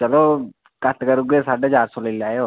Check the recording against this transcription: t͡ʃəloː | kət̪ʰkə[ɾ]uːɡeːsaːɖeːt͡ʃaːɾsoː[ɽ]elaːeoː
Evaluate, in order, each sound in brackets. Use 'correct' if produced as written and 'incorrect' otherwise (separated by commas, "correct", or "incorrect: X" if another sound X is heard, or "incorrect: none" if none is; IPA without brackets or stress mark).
correct, incorrect: l